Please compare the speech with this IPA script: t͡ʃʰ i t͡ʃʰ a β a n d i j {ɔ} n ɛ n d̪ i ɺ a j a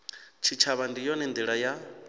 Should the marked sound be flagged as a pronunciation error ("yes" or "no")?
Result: no